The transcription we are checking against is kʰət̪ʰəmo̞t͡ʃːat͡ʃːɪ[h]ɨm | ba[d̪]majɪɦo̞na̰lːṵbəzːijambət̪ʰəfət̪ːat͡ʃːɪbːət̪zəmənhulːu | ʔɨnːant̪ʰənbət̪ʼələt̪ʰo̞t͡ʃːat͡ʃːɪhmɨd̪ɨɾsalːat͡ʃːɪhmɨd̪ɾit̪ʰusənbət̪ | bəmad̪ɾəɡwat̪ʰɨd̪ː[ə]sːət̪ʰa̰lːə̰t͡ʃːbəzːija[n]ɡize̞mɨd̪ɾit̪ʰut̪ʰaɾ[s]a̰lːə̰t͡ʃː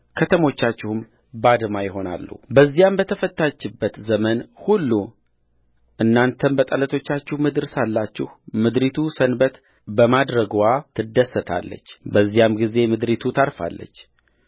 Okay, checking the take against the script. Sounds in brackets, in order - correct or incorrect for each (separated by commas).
correct, correct, correct, incorrect, incorrect